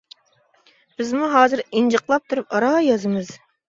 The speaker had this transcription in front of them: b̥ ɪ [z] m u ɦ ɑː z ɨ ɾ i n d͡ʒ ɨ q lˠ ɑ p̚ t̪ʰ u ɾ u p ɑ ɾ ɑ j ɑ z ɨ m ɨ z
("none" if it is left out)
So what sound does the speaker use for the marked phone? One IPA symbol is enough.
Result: z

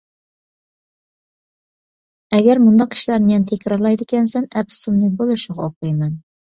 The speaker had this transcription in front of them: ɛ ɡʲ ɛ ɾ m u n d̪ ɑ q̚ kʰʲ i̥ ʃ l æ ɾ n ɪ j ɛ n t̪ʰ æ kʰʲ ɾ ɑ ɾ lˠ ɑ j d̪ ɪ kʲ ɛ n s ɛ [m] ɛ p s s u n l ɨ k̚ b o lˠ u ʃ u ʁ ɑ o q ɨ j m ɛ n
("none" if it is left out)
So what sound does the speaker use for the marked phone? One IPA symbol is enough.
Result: n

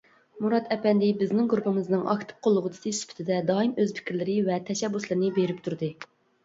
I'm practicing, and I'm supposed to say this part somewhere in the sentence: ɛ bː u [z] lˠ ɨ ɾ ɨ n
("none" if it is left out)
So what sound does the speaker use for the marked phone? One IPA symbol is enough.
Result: s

